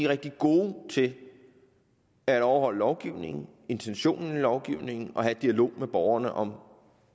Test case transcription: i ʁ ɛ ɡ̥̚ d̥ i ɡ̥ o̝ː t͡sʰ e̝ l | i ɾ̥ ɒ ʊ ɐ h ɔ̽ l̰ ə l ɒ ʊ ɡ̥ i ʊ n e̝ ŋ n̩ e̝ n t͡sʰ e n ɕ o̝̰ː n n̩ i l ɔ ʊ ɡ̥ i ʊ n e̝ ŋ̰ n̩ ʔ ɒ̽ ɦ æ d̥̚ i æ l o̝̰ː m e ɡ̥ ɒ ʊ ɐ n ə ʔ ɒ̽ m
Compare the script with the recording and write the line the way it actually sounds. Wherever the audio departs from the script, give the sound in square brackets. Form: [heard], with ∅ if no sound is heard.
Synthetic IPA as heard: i ʁ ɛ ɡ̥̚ d̥ i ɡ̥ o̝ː t͡sʰ e̝ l | [æ] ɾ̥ ɒ ʊ ɐ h [ɒ̽] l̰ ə l ɒ ʊ ɡ̥ i ʊ n e̝ ŋ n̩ e̝ n t͡sʰ e n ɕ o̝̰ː n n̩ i l [ɒ] ʊ ɡ̥ i ʊ n e̝ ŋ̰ n̩ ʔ ɒ̽ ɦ æ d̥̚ i æ l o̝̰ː m e [b̥] ɒ ʊ ɐ n ə ʔ ɒ̽ m